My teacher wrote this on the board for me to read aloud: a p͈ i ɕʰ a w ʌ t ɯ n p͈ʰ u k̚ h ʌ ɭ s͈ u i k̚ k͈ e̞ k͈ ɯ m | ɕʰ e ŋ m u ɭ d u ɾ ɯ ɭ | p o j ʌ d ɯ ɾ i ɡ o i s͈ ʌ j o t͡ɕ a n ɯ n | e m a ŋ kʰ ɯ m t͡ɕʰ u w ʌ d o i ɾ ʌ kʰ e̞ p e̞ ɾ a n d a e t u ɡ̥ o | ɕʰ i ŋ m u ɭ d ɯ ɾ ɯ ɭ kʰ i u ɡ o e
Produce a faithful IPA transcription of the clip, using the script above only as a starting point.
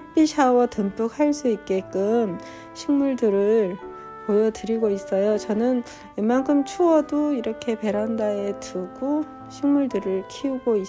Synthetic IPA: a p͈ i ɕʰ a w ʌ t ɯ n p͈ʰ u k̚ h a ɭ s͈ u i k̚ k͈ e̞ k͈ ɯ m | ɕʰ i ŋ m u ɭ d ɯ ɾ ɯ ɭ | p o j ʌ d ɯ ɾ i ɡ o i s͈ ʌ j o t͡ɕ ʌ n ɯ n | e m a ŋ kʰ ɯ m t͡ɕʰ u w ʌ d o i ɾ ʌ kʰ e̞ p e̞ ɾ a n d a e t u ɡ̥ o | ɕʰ i ŋ m u ɭ d ɯ ɾ ɯ ɭ kʰ i u ɡ o i

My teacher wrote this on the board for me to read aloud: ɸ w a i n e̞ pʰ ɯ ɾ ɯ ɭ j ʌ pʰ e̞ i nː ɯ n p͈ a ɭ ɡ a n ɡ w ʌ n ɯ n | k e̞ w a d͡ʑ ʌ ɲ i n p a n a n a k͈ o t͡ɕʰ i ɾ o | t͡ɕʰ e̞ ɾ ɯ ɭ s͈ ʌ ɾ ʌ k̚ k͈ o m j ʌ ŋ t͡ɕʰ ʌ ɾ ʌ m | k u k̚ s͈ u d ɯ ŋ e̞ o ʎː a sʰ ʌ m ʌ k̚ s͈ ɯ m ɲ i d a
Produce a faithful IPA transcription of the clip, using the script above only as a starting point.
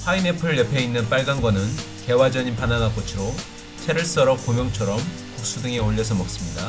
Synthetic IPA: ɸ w a i n e̞ pʰ ɯ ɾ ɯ ɭ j ʌ pʰ e̞ i nː ɯ n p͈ a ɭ ɡ a n ɡ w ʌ n ɯ n | k e̞ w a d͡ʑ ʌ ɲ i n p a n a n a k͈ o t͡ɕʰ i ɾ o | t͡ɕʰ e̞ ɾ ɯ ɭ s͈ ʌ ɾ ʌ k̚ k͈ o m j ʌ ŋ t͡ɕʰ ʌ ɾ ʌ m | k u k̚ s͈ u d ɯ ŋ e̞ o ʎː ʌ sʰ ʌ m ʌ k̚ s͈ ɯ m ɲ i d a

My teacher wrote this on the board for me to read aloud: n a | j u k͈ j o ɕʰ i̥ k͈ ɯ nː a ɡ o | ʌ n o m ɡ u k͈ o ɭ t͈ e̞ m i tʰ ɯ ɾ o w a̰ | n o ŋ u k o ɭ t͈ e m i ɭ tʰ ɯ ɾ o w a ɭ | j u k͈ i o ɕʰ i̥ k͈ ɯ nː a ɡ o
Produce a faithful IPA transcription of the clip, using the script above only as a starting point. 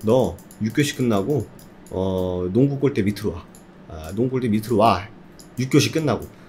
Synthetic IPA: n ʌ | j u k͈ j o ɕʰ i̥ k͈ ɯ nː a ɡ o | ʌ n o ŋ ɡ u k͈ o ɭ t͈ e̞ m i tʰ ɯ ɾ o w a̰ | n o ŋ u k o ɭ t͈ e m i tʰ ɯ ɾ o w a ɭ | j u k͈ j o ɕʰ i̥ k͈ ɯ nː a ɡ o

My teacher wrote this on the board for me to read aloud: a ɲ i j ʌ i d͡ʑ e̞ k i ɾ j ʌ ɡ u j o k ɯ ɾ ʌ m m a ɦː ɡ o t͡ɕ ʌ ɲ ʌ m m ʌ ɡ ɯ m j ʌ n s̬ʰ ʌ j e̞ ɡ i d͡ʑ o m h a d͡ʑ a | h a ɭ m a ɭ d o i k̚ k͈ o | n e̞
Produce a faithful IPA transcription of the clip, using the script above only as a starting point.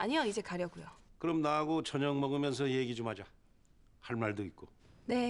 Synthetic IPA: a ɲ i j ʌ i d͡ʑ e̞ k a ɾ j ʌ ɡ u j o k ɯ ɾ ʌ m n a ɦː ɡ o t͡ɕ ʌ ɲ ʌ ŋ m ʌ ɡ ɯ m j ʌ n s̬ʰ ʌ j e̞ ɡ i d͡ʑ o m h a d͡ʑ a | h a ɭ m a ɭ d o i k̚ k͈ o | n e̞

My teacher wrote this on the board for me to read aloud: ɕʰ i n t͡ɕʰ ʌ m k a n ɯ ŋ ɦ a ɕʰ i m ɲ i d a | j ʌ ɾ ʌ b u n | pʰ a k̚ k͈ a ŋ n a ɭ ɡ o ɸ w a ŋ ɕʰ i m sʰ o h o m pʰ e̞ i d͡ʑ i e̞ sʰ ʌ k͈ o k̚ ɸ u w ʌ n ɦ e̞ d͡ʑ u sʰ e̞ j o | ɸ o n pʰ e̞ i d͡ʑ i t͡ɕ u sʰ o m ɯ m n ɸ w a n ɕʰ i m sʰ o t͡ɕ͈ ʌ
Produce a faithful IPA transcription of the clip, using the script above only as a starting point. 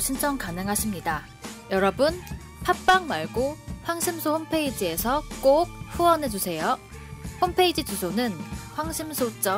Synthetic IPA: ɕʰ i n t͡ɕʰ ʌ ŋ k a n ɯ ŋ ɦ a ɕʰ i m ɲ i d a | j ʌ ɾ ʌ b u n | pʰ a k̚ p͈ a ŋ m a ɭ ɡ o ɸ w a ŋ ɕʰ i m sʰ o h o m pʰ e̞ i d͡ʑ i e̞ sʰ ʌ k͈ o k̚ ɸ u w ʌ n ɦ e̞ d͡ʑ u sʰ e̞ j o | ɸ o m pʰ e̞ i d͡ʑ i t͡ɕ u sʰ o n ɯ n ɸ w a ŋ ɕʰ i m sʰ o t͡ɕ͈ ʌ

